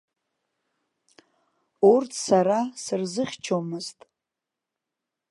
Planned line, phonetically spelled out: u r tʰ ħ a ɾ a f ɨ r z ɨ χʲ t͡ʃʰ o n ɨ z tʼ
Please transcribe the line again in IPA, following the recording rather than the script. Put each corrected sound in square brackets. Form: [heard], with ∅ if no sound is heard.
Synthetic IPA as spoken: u r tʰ [s] a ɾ a [s] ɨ r z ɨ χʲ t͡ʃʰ o [m] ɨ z tʼ